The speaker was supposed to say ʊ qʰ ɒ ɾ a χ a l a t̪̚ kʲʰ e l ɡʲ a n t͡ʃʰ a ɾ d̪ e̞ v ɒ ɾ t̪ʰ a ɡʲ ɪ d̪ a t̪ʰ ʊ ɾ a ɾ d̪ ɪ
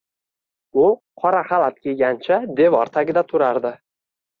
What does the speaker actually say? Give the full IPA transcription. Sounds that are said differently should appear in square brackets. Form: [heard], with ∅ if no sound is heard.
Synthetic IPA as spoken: ʊ qʰ ɒ ɾ a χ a l a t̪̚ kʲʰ e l ɡʲ a n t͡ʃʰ a [∅] d̪ e̞ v ɒ ɾ t̪ʰ a ɡʲ ɪ d̪ a t̪ʰ ʊ ɾ a ɾ d̪ ɪ